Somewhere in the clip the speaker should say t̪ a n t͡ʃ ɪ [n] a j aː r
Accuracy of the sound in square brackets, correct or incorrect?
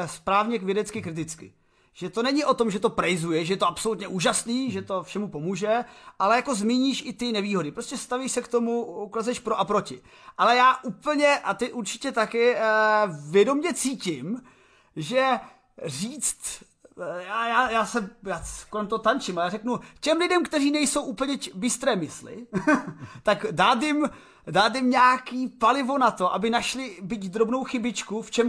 incorrect